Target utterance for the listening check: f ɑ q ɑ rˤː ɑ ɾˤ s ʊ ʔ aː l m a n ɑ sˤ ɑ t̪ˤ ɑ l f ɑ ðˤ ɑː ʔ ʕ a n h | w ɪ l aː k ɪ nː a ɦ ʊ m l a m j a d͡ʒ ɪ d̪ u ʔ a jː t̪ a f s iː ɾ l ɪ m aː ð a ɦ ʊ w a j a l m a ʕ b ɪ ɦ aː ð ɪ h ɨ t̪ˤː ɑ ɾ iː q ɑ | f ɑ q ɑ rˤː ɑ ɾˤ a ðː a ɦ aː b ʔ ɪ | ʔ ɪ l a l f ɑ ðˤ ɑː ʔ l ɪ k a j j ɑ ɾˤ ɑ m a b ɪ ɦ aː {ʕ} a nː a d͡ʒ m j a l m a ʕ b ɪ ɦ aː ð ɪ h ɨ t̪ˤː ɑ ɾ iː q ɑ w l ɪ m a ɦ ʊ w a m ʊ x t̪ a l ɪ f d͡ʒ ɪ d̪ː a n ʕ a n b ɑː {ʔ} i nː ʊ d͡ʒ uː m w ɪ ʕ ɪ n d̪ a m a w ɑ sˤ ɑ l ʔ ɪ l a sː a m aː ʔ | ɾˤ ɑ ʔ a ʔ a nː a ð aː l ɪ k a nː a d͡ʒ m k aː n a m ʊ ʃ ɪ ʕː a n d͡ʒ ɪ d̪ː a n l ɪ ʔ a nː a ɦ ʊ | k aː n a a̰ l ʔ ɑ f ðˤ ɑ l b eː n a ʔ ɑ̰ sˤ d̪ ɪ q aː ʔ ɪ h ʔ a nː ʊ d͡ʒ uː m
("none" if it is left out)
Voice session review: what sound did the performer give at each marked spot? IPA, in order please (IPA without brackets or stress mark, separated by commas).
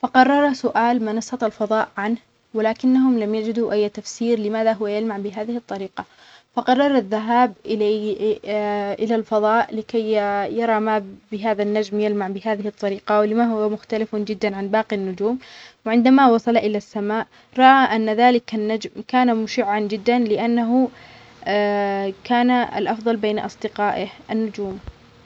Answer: ð, q